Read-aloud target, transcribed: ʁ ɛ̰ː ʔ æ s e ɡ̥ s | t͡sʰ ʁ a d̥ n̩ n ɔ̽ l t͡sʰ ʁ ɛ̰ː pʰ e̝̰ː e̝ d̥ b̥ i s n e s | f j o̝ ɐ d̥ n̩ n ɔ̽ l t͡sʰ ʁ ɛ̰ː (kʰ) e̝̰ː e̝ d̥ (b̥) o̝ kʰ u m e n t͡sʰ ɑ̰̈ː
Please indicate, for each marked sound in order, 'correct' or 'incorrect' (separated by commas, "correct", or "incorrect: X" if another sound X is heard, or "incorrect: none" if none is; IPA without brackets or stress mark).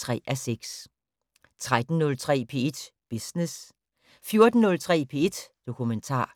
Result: incorrect: pʰ, incorrect: d̥